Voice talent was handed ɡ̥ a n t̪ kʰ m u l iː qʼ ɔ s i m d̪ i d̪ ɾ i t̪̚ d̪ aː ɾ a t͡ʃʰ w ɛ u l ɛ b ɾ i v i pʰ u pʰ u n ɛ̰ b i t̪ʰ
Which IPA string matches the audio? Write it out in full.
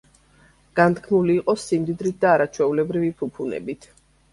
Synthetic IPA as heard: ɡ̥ a n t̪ kʰ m u l iː qʼ ɔ s i m d̪ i d̪ ɾ i t̪̚ d̪ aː ɾ a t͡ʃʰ w ɛ u l ɛ b ɾ i v i pʰ u pʰ u n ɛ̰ b i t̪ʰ

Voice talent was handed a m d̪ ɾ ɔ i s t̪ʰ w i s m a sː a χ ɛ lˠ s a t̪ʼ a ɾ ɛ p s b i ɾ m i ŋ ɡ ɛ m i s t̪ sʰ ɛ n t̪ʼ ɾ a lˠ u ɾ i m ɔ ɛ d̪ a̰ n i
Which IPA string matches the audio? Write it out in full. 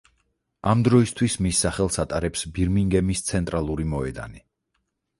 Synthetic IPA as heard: a m d̪ ɾ ɔ i s t̪ʰ w i s m i sː a χ ɛ lˠ s a t̪ʼ a ɾ ɛ p s b i ɾ m i ŋ ɡ ɛ m i s t̪ sʰ ɛ n t̪ʼ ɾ a lˠ u ɾ i m ɔ ɛ d̪ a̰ n i

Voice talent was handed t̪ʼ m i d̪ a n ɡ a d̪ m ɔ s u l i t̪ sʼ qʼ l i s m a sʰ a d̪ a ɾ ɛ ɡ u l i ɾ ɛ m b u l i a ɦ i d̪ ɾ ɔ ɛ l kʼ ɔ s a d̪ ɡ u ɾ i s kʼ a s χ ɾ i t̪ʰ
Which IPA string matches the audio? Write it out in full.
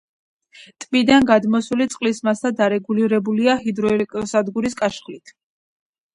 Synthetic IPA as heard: t̪ʼ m i d̪ a n ɡ a d̪ m ɔ s u l i t̪ sʼ qʼ l i s m a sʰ a d̪ a ɾ ɛ ɡ u l i ɾ ɛ b u l i a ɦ i d̪ ɾ ɔ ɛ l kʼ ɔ s a d̪ ɡ u ɾ i s kʼ a ʃ χ l i t̪ʰ

